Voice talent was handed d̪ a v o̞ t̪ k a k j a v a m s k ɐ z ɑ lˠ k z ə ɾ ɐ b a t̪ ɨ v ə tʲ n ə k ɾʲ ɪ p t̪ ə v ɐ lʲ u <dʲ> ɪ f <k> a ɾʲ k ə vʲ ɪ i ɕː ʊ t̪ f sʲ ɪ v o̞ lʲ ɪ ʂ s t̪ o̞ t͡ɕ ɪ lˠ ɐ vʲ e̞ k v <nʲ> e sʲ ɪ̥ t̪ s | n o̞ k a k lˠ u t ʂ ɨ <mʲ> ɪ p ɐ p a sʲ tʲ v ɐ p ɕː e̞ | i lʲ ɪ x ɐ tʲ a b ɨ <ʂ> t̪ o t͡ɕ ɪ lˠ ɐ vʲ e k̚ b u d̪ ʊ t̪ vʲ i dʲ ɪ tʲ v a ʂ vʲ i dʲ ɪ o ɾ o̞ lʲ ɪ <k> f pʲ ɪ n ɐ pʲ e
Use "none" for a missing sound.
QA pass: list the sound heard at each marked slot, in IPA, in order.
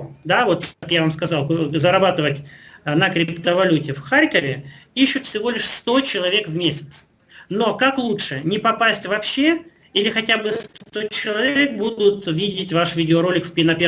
tʲ, x, mʲ, nʲ, s, k

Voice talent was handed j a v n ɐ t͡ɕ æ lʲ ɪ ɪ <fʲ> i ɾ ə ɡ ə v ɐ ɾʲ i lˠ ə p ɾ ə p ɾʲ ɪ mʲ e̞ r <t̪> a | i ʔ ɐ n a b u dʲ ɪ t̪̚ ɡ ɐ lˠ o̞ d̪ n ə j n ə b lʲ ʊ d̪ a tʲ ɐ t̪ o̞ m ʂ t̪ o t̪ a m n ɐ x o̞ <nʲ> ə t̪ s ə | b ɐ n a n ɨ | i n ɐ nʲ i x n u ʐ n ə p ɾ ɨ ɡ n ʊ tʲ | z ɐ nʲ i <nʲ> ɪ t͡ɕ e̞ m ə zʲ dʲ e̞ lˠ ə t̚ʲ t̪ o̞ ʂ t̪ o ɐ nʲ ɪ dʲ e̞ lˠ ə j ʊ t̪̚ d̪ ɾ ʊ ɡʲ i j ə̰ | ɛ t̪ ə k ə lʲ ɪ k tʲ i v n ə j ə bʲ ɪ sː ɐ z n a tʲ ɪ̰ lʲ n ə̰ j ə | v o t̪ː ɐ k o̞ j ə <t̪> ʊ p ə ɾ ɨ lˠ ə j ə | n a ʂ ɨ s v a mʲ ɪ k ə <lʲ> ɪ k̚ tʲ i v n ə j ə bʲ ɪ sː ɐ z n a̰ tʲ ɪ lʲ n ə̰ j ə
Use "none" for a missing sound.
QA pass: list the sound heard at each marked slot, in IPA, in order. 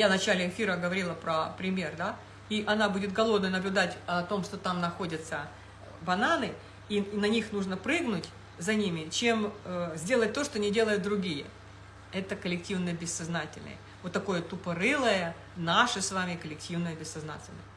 fʲ, d̪, dʲ, mʲ, t̪, lʲ

